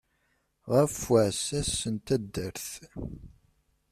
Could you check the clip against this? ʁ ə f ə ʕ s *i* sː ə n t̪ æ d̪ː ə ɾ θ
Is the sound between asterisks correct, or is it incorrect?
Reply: incorrect